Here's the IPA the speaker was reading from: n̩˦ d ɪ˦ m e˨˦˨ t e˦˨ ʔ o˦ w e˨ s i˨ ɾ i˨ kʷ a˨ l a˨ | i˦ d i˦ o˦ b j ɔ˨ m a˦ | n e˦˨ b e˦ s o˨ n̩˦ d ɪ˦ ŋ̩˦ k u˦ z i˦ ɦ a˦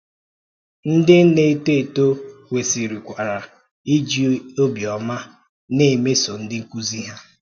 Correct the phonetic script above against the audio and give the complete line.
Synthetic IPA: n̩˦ d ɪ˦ n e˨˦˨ t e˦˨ t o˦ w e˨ s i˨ ɾ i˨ kʷ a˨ ɾ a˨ | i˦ d͡ʒ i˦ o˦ b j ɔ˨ m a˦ | n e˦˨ m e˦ s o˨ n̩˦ d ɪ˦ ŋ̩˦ k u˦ z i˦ ɦ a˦

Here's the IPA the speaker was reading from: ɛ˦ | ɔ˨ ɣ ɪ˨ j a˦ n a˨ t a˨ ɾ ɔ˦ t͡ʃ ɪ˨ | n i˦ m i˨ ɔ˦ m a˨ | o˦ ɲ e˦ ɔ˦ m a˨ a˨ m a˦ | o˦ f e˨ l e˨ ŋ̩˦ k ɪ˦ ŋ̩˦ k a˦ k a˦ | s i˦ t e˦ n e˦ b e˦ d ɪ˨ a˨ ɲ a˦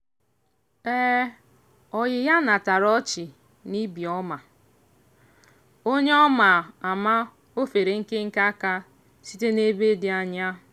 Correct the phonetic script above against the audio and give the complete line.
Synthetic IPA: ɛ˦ | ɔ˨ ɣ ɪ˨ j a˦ n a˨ t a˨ ɾ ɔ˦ t͡ʃ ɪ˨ | n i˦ b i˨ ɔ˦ m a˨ | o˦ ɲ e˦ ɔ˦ m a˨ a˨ m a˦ | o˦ f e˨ ɾ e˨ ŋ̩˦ k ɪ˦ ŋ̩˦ k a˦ k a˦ | s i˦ t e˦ n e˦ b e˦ d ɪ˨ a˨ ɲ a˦

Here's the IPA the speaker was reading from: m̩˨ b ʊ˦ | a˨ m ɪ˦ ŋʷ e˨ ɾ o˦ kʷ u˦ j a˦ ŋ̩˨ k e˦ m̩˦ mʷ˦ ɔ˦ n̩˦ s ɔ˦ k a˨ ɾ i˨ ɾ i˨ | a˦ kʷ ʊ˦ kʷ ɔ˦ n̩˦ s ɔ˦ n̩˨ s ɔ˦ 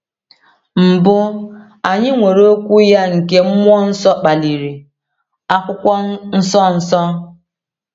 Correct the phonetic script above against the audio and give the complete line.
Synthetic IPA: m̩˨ b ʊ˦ | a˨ ɲ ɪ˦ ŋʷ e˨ ɾ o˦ kʷ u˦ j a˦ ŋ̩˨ k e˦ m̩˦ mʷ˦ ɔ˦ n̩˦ s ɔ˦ k͡p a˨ l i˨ ɾ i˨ | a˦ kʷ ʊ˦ kʷ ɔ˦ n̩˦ s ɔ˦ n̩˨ s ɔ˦

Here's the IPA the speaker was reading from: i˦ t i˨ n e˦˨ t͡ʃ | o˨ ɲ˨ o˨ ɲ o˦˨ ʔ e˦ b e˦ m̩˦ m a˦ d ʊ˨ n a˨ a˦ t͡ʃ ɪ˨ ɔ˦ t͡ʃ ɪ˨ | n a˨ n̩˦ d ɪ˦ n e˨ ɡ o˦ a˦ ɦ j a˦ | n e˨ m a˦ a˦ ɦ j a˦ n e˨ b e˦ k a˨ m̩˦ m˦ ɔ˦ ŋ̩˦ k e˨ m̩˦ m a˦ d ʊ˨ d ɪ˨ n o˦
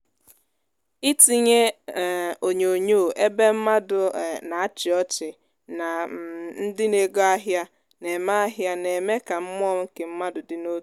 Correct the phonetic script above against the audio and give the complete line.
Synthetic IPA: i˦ t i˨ ɲ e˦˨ | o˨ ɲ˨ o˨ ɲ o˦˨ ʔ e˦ b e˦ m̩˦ m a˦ d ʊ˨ n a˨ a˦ t͡ʃ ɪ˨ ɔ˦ t͡ʃ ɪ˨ | n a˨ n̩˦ d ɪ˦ n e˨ ɡ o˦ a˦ ɦ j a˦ | n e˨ m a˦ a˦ ɦ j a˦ n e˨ m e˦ k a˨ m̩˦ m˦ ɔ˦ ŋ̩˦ k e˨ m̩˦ m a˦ d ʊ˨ d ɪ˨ n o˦

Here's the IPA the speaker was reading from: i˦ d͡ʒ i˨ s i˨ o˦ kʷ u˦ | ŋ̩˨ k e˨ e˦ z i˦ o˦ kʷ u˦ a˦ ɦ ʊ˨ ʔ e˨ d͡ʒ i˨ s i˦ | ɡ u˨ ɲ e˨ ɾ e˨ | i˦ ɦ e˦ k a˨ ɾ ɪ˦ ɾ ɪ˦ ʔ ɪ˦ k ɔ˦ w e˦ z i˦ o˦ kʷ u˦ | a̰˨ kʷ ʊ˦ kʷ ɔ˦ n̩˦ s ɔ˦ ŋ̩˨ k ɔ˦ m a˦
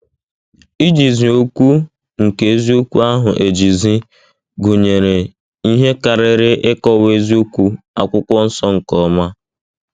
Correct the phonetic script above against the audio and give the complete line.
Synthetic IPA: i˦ d͡ʒ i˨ z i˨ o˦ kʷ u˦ | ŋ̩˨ k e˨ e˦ z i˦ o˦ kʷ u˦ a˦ ɦ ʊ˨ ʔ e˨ d͡ʒ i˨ z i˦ | ɡ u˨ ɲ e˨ ɾ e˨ | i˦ ɦ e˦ k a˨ ɾ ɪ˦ ɾ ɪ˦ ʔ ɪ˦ k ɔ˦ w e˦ z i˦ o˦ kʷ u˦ | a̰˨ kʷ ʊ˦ kʷ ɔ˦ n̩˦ s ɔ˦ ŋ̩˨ k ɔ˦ m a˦

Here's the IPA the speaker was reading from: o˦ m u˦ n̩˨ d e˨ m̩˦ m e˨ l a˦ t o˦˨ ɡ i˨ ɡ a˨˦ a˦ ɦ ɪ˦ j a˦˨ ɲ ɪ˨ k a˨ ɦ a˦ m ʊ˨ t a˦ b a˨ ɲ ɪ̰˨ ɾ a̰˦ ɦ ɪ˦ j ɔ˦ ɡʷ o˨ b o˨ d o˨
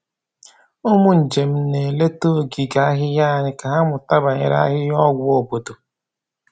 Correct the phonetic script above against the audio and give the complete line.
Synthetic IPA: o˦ m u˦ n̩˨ d͡ʒ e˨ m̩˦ n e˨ l e˦ t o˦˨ ɡ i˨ ɡ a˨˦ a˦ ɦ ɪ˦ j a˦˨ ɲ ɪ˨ k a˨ ɦ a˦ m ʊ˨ t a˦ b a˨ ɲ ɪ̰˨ ɾ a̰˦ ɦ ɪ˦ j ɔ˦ ɡʷ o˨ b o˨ d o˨

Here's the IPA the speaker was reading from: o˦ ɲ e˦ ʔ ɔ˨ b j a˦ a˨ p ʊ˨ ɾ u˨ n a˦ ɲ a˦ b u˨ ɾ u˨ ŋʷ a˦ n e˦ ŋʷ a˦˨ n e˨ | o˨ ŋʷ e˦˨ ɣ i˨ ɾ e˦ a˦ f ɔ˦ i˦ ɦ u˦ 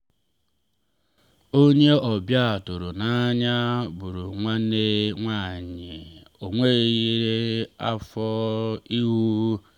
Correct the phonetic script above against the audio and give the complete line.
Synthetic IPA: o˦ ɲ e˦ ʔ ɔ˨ b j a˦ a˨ t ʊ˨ ɾ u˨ n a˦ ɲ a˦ b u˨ ɾ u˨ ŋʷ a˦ n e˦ ŋʷ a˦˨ ɲ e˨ | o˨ ŋʷ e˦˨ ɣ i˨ ɾ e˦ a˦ f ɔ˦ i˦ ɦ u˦

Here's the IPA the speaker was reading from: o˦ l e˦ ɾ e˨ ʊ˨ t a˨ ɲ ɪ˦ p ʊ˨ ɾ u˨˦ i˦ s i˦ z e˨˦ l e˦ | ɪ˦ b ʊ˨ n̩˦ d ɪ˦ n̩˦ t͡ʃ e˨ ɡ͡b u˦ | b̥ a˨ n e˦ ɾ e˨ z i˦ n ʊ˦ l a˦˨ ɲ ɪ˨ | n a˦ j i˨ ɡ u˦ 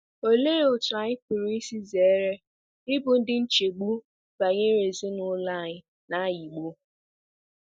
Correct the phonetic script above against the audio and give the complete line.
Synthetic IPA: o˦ l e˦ ɾ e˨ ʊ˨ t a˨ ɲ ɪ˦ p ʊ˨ ɾ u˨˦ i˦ s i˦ z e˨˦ ɾ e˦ | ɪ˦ b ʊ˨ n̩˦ d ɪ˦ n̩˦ t͡ʃ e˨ ɡ͡b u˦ | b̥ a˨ ɲ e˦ ɾ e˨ z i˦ n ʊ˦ l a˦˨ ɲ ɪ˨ | n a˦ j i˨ ɡ͡b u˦

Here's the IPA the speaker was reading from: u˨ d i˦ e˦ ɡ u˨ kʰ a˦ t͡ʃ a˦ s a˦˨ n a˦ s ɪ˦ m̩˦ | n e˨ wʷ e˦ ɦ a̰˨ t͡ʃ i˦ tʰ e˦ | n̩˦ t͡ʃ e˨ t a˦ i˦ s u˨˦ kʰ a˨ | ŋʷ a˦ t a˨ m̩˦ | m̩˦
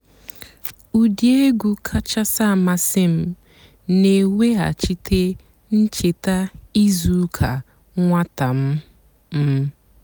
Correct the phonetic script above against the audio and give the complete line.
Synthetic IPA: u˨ d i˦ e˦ ɡ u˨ kʰ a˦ t͡ʃ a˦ s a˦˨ m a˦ s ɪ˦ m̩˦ | n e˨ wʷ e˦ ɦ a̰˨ t͡ʃ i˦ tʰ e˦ | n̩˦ t͡ʃ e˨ t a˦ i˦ z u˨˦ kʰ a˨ | ŋʷ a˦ t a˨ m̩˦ | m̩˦

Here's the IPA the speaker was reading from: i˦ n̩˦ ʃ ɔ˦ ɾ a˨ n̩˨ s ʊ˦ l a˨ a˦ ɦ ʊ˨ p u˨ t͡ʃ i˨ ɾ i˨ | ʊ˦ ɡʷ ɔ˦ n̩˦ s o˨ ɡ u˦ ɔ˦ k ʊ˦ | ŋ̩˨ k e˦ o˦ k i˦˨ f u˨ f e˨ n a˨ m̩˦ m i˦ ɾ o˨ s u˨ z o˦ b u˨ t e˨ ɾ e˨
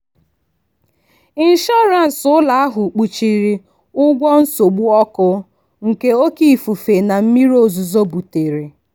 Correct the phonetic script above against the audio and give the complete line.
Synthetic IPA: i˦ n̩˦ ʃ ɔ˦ ɾ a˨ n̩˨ s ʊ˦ l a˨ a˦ ɦ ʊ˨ k͡p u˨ t͡ʃ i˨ ɾ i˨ | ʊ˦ ɡʷ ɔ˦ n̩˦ s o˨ ɡ͡b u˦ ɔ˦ k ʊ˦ | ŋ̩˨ k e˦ o˦ k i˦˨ f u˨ f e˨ n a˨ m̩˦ m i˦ ɾ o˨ z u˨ z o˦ b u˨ t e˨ ɾ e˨

